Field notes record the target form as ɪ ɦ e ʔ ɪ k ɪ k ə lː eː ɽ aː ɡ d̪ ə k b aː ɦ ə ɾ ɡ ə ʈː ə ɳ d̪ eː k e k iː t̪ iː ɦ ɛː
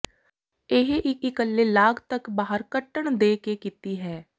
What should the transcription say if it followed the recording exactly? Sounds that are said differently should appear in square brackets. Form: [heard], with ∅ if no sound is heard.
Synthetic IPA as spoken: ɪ ɦ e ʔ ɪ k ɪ k ə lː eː [l] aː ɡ [t̪] ə k b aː ɦ ə ɾ [k] ə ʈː ə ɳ d̪ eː k e k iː t̪ iː ɦ ɛː